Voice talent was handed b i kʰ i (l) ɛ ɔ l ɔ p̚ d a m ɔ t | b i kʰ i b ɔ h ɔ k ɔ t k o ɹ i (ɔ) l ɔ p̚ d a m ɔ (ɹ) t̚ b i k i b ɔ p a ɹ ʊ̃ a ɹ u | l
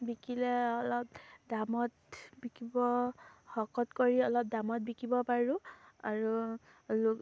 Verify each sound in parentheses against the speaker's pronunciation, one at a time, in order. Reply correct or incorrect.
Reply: correct, correct, incorrect

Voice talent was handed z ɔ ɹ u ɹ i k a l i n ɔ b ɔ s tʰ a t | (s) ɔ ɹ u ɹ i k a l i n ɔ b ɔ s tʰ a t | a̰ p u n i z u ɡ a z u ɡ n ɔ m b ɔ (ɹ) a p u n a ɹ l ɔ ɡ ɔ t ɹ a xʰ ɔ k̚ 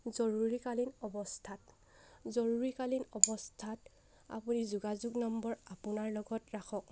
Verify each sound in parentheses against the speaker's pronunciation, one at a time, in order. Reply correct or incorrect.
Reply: incorrect, correct

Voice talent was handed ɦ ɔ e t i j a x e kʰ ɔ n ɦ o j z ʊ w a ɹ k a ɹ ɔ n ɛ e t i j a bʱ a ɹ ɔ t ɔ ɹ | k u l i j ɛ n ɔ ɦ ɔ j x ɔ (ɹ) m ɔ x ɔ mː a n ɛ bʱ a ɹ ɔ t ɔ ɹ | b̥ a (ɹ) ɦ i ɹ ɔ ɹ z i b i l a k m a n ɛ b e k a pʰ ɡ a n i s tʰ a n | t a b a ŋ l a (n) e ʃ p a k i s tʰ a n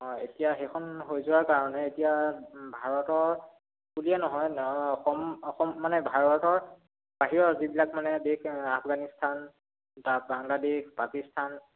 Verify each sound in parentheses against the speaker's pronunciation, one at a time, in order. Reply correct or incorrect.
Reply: incorrect, incorrect, incorrect

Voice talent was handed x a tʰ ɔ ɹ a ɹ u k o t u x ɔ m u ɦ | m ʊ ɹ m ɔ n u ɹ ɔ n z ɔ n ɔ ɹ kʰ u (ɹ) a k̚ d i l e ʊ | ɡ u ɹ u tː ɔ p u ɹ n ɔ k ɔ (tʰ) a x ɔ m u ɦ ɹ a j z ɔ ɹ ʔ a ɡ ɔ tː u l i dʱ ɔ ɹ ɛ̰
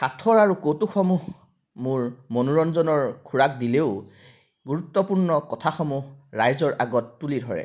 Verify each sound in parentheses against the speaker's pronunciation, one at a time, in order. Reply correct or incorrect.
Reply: correct, correct

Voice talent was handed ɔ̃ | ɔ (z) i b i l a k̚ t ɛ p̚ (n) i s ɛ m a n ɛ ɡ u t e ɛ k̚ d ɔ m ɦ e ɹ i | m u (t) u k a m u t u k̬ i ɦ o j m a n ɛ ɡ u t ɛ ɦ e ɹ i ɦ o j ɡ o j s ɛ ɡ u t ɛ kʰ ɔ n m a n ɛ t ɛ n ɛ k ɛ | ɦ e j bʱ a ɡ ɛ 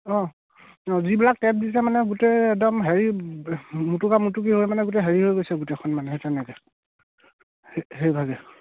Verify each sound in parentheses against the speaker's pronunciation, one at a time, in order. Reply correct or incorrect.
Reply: correct, incorrect, correct

